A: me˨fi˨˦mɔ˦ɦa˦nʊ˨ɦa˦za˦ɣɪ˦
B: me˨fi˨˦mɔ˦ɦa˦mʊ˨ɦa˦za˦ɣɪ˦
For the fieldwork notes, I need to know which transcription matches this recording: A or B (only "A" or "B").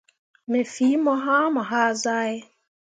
B